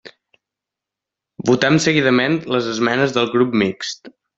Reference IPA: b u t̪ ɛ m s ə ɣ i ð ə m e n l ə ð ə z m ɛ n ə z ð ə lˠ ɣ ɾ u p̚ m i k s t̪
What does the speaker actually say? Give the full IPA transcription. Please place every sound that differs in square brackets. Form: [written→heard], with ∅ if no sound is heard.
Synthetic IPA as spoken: b u t̪ ɛ m s ə ɣ i ð ə m e n l ə [ð→z] ə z m ɛ n ə z ð ə lˠ ɣ ɾ u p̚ m i k s t̪

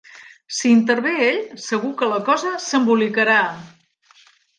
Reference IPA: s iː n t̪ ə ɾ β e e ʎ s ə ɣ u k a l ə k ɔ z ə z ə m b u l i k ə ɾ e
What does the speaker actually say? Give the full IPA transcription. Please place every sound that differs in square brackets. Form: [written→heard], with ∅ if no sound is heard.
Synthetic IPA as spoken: s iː n t̪ ə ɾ β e e ʎ s ə ɣ u k [a→ə] l ə k ɔ z ə [z→s] ə m b u l i k ə ɾ [e→a]

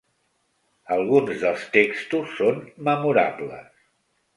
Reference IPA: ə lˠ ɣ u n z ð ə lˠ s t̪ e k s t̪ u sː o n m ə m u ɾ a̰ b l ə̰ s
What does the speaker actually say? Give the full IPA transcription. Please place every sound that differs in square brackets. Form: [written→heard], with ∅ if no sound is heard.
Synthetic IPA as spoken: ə lˠ ɣ u n z ð ə lˠ s t̪ e k s t̪ u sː o n m ə m u ɾ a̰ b l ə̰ s

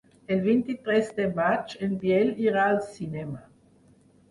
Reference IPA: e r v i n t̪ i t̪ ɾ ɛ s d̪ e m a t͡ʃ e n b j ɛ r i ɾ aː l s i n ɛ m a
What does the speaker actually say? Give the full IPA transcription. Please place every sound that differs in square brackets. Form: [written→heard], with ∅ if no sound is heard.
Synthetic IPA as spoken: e [r→l] v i n t̪ i t̪ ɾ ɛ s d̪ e m a t͡ʃ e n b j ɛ [r→l] i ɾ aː l s i n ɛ m a

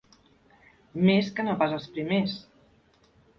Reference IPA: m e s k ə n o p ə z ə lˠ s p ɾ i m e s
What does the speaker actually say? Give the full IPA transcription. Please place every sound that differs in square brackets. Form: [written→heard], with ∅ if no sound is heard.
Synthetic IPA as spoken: m e s k ə n o p [ə→a] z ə lˠ s p ɾ i m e s

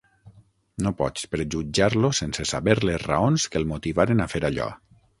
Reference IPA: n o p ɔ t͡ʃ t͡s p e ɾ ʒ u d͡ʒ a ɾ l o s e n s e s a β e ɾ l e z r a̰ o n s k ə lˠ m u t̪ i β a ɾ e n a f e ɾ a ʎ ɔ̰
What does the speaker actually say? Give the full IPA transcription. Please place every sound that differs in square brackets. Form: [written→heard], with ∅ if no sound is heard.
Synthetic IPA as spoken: n o p ɔ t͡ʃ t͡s p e ɾ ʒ u d͡ʒ a ɾ l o s e n s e s a β e ɾ l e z r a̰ o n s k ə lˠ m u t̪ i β a ɾ e n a f e ɾ a ʎ ɔ̰

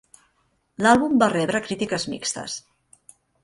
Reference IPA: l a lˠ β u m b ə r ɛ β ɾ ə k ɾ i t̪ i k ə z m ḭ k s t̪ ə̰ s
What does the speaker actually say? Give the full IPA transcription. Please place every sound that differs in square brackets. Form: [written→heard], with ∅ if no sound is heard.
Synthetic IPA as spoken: l a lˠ β u m b [ə→a] r ɛ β ɾ ə k ɾ i t̪ i k ə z m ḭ k s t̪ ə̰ s

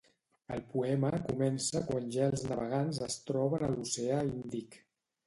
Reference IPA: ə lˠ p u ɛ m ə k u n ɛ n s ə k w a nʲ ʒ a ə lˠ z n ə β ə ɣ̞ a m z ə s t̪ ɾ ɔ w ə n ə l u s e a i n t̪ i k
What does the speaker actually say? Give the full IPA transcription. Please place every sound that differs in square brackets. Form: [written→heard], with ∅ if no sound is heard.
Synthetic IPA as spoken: ə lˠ p u ɛ m ə k u [n→m] ɛ n s ə k w a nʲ ʒ a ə lˠ z n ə β ə ɣ̞ a [m→n] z ə s t̪ ɾ ɔ [w→β] ə n ə l u s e a i n [t̪→d̪] i k

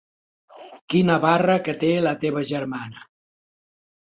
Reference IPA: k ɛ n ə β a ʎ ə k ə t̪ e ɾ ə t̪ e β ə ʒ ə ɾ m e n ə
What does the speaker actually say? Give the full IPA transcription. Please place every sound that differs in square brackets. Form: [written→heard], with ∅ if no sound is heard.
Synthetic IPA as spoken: k [ɛ→i] n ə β a [ʎ→r] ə k ə t̪ e [ɾ→l] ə t̪ e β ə ʒ ə ɾ m [e→a] n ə

